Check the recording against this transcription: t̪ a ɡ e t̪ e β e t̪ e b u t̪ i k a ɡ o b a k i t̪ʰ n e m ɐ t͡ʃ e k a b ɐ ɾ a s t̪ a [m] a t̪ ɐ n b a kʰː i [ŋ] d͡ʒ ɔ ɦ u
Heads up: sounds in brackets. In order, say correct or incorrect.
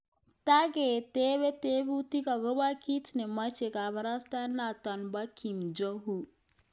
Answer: incorrect, incorrect

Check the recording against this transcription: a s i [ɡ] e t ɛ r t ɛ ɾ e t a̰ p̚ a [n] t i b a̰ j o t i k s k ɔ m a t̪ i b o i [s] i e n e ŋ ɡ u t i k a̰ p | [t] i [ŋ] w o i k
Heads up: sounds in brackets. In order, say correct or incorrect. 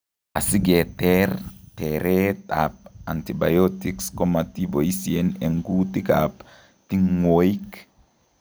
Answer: correct, correct, correct, correct, correct

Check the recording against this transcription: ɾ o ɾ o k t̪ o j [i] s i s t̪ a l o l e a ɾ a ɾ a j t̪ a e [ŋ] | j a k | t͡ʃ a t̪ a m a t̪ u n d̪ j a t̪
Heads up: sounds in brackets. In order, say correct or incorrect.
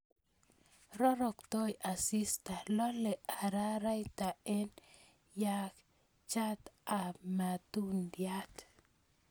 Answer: incorrect, incorrect

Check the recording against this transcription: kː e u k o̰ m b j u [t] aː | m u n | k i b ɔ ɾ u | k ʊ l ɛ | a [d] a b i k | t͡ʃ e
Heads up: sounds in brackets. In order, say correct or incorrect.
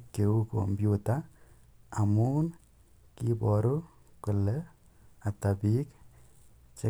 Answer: correct, incorrect

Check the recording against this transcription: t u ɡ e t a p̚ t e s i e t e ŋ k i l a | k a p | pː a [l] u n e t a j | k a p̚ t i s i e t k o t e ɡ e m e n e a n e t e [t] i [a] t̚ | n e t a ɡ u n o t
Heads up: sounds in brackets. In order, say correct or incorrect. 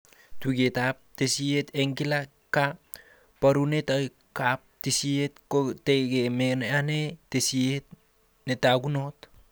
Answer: incorrect, incorrect, incorrect

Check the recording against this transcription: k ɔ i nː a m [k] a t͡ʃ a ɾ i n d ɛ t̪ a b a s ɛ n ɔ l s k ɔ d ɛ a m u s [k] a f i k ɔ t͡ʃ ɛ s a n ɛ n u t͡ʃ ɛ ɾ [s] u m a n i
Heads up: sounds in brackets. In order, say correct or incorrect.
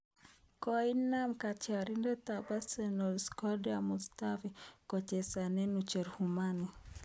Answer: correct, incorrect, incorrect

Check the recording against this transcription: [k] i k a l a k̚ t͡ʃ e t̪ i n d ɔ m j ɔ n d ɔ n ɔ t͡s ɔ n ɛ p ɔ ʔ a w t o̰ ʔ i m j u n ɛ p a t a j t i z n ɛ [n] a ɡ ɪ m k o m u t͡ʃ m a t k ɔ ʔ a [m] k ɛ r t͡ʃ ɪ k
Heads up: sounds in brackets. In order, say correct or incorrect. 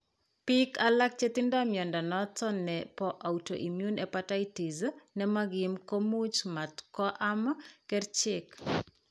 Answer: incorrect, incorrect, correct

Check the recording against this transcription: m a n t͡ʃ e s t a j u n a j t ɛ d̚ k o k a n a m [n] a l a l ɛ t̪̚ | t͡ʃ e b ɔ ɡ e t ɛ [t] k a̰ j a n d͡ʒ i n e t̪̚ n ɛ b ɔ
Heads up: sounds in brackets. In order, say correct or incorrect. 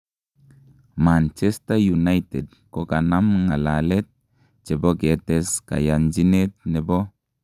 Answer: incorrect, incorrect

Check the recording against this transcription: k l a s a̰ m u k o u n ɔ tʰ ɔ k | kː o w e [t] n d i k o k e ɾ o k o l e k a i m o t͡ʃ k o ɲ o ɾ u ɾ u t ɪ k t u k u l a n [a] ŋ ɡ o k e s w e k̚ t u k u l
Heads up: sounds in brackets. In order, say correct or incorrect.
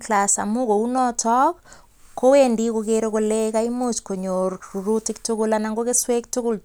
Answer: incorrect, correct

